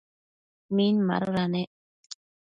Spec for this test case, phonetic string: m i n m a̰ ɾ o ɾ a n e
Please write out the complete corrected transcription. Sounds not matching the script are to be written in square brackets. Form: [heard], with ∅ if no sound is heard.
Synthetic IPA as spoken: m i n m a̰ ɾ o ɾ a n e

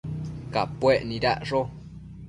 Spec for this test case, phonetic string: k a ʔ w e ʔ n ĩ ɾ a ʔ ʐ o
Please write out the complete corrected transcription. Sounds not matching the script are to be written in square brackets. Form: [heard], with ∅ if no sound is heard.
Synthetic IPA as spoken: k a [p] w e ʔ n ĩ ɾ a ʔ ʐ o

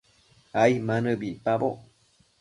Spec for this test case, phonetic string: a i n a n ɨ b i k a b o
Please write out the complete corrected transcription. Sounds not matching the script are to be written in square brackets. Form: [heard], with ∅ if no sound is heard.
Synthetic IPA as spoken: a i [m] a n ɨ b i [p] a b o

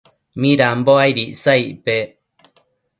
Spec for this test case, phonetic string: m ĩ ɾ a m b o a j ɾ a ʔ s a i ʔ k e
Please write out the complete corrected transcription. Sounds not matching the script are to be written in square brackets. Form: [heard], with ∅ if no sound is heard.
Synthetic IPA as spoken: m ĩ ɾ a m b o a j ɾ [i] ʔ s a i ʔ [p] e

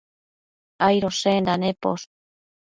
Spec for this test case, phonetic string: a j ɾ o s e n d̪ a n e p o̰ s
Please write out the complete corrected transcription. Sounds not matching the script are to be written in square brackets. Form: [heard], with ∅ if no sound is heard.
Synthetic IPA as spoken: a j ɾ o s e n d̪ a n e p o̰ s

